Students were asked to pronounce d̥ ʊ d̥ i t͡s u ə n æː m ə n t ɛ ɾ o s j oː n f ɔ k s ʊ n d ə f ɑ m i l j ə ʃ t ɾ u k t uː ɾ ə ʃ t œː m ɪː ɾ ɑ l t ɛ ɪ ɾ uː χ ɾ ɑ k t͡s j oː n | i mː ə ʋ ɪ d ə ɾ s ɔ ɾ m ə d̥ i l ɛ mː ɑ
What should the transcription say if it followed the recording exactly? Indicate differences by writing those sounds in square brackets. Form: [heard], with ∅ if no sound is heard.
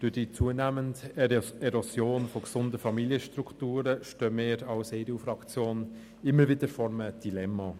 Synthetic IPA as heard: d̥ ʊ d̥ i t͡s u ə n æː m ə n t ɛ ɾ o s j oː n f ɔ k s ʊ n d ə f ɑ m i l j ə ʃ t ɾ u k t uː ɾ ə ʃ t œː m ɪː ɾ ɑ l [s] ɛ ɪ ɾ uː [f] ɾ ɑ k t͡s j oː n | [ɪ] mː ə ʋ ɪ d ə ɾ [f] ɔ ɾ m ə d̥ i l ɛ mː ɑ